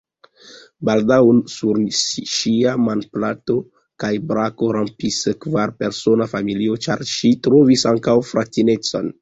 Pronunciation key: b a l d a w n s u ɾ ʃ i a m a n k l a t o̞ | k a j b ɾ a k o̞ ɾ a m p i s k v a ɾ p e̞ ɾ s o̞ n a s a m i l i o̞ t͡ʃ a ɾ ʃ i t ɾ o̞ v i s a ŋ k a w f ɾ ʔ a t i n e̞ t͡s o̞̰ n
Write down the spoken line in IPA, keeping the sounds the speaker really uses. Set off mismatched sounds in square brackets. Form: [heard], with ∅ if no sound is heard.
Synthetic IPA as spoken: b a l d a w n s u ɾ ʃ i a m a n [p] l a t o̞ | k a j b ɾ a k o̞ ɾ a m p i s k v a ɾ p e̞ ɾ s o̞ n a [f] a m i l i o̞ t͡ʃ a ɾ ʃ i t ɾ o̞ v i s a ŋ k a w f ɾ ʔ a t i n e̞ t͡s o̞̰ n

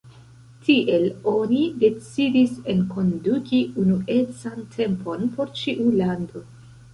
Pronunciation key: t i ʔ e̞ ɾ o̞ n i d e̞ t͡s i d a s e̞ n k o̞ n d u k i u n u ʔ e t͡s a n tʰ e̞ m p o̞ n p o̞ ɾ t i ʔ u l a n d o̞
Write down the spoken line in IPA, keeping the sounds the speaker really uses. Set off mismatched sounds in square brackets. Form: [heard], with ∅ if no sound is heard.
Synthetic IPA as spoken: t i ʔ e̞ [l] o̞ n i d e̞ t͡s i d [i] s e̞ n k o̞ n d u k i u n u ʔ e t͡s a n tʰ e̞ m p o̞ n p o̞ ɾ [t͡ʃ] i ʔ u l a n d o̞

